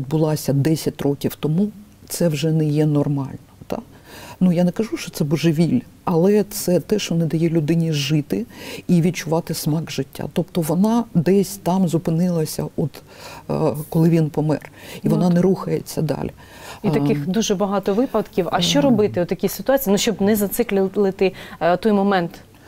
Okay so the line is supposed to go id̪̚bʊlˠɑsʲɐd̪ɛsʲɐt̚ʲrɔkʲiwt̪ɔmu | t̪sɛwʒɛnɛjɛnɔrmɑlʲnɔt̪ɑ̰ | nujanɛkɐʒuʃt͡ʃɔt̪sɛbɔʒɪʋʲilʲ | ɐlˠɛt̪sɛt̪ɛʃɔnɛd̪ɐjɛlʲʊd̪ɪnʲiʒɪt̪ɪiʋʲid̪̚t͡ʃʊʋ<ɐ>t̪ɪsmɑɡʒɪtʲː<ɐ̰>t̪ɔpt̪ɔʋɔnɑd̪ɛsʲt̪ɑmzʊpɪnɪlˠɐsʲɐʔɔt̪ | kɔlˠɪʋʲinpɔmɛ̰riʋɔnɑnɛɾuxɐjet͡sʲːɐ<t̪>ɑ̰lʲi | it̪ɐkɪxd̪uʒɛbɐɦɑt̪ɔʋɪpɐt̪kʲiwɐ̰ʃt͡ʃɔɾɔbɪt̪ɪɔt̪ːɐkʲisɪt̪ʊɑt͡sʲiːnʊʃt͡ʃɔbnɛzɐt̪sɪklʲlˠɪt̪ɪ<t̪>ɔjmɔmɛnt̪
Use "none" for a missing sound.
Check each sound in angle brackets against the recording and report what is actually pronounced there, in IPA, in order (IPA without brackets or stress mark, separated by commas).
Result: ɑ, a̰, d̪, t̪